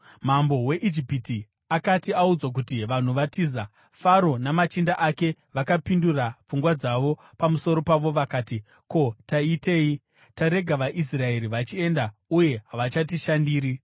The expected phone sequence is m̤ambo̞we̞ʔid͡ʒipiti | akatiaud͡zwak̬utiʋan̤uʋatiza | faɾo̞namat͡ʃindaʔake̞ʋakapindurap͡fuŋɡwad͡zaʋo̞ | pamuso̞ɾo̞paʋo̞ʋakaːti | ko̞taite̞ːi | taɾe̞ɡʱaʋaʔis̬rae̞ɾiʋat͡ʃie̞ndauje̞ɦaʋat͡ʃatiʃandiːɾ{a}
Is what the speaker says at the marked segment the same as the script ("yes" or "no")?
no